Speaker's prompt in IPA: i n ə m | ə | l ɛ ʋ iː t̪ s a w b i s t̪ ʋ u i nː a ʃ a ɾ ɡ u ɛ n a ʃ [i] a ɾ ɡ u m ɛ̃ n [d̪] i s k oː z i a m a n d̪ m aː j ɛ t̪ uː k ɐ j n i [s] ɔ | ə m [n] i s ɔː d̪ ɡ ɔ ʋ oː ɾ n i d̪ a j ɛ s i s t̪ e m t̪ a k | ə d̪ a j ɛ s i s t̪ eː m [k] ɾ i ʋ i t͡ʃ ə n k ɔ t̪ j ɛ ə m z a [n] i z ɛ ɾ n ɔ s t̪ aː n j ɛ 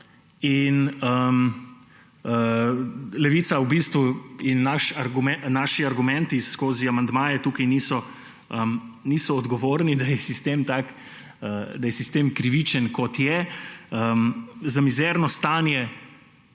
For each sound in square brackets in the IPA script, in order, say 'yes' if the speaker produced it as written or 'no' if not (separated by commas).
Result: yes, no, yes, yes, yes, no